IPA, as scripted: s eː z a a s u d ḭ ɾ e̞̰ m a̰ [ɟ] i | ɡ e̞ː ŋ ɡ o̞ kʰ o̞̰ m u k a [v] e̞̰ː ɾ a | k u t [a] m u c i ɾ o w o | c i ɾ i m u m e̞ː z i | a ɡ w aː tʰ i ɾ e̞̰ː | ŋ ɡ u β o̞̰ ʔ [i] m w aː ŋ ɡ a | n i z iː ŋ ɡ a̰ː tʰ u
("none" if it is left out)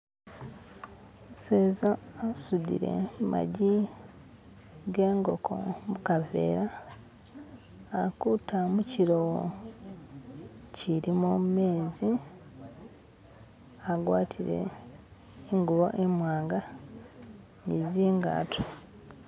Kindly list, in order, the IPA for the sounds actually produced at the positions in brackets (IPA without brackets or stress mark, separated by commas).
ɟ, v, a, e